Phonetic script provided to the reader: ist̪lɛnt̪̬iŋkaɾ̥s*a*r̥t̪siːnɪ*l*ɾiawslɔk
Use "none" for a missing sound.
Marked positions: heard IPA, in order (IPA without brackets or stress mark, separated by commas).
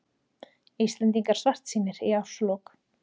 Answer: a, none